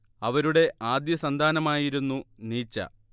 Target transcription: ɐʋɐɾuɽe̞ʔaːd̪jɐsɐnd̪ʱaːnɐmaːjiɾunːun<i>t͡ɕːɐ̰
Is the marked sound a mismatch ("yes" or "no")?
yes